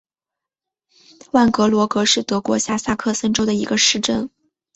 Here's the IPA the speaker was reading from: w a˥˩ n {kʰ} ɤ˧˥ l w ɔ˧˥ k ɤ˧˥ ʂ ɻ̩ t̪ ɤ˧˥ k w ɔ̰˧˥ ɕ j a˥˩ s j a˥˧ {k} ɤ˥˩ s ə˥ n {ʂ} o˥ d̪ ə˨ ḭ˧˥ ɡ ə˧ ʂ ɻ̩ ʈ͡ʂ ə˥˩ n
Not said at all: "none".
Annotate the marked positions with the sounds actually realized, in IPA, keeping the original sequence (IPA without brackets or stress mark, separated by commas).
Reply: k, kʰ, ʈ͡ʂ